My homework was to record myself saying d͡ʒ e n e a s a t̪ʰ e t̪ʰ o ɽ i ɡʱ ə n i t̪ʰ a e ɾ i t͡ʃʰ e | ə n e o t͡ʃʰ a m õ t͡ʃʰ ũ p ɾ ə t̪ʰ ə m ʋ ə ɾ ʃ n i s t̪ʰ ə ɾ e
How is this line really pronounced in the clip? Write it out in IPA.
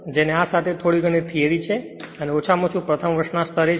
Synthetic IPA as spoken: d͡ʒ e n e a s a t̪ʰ e t̪ʰ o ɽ i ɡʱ ə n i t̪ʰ i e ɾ i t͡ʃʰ e | ə n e o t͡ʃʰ a m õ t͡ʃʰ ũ p ɾ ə t̪ʰ ə m ʋ ə ɾ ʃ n a s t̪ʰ ə ɾ e